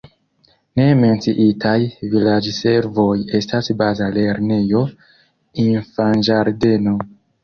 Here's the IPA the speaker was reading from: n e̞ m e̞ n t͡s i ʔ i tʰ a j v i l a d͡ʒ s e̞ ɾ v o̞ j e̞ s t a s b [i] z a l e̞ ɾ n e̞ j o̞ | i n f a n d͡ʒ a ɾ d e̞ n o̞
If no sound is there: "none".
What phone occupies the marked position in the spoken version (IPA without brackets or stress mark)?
a